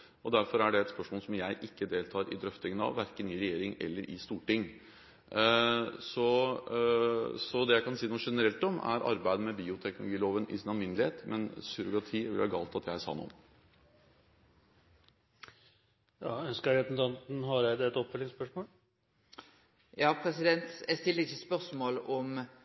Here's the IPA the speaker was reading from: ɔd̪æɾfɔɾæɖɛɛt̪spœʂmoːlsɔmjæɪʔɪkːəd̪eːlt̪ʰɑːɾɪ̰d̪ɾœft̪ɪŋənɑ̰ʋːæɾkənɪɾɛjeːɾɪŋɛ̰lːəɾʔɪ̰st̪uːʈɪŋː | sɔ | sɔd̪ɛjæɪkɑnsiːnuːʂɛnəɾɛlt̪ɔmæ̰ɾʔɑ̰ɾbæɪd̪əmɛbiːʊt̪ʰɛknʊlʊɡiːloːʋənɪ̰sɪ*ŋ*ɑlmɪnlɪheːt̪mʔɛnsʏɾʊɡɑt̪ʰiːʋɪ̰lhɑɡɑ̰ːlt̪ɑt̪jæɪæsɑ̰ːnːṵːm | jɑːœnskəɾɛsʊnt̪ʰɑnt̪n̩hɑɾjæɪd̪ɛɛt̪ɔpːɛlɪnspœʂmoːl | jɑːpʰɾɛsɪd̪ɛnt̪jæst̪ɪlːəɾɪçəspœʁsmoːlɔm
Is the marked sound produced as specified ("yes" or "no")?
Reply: no